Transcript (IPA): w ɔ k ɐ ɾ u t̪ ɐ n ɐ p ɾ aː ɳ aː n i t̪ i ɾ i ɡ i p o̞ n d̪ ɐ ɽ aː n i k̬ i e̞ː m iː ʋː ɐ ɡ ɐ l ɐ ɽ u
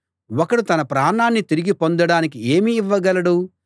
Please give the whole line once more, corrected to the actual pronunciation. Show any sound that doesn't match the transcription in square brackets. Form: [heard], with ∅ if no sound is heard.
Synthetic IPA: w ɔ k ɐ [ɽ] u t̪ ɐ n ɐ p ɾ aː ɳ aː [nː] i t̪ i ɾ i ɡ i p o̞ n d̪ ɐ ɽ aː n i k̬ i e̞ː m iː ʋː ɐ ɡ ɐ l ɐ ɽ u